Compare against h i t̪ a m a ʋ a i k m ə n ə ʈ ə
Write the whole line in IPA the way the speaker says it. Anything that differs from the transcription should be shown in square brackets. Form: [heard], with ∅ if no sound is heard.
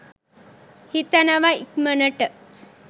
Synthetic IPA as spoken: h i t̪ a [n] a ʋ a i k m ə n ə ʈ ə